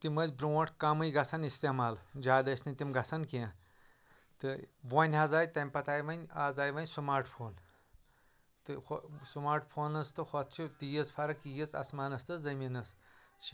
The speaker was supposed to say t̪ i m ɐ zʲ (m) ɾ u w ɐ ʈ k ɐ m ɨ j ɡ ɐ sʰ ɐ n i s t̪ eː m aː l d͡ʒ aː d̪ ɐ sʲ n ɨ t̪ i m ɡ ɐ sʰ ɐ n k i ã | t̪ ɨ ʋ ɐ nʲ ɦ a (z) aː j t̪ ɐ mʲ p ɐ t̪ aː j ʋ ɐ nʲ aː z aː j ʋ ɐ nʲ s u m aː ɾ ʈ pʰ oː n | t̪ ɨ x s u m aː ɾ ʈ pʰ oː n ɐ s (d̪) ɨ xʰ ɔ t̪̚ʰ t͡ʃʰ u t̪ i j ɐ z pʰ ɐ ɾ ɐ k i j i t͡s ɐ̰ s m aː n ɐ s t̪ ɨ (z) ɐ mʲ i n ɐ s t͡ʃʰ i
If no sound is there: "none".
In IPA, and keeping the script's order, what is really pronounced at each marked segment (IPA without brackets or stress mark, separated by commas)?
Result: b, z, t̪, z